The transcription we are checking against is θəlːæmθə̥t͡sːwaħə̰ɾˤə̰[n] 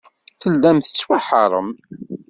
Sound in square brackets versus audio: incorrect: m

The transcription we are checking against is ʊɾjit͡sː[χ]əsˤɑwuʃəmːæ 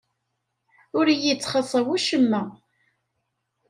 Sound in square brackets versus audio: correct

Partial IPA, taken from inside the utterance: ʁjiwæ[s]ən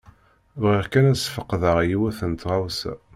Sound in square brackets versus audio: incorrect: θ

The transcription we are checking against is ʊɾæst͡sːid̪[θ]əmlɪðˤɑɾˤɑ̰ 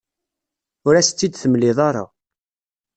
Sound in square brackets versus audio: correct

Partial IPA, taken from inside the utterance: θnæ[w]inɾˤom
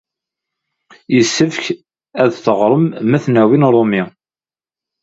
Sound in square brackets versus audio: correct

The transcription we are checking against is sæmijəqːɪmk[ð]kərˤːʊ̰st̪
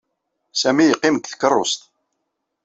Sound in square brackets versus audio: incorrect: θ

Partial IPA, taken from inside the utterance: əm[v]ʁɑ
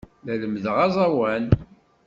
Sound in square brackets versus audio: incorrect: ð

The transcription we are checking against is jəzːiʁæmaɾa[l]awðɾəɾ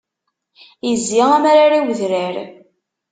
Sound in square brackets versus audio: incorrect: ɾ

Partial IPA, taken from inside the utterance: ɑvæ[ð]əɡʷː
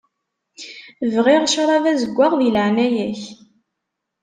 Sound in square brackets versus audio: incorrect: z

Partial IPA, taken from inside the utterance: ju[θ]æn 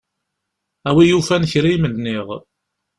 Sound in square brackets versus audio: incorrect: f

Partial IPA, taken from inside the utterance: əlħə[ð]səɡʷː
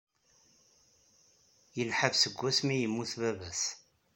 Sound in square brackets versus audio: incorrect: v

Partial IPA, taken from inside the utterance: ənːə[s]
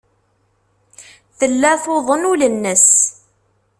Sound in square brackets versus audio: correct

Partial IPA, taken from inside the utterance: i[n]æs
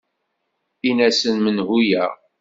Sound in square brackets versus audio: correct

